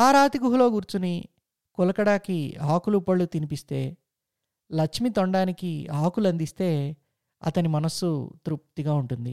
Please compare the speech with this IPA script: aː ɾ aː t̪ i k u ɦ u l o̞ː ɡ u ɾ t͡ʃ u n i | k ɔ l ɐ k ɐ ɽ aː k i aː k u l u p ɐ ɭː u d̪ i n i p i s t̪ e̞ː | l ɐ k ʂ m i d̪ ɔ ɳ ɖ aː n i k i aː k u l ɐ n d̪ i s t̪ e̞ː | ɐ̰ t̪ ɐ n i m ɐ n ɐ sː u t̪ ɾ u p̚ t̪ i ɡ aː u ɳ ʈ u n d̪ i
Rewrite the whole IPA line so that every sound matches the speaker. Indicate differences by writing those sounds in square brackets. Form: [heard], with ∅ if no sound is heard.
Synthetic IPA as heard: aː ɾ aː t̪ i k u ɦ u l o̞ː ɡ u ɾ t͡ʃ u n i | k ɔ l ɐ k ɐ ɽ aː k i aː k u l u p ɐ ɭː u [t̪] i n i p i s t̪ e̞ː | l ɐ k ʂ m i [t̪] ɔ ɳ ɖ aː n i k i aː k u l ɐ n d̪ i s t̪ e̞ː | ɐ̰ t̪ ɐ n i m ɐ n ɐ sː u t̪ ɾ u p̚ t̪ i ɡ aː u ɳ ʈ u n d̪ i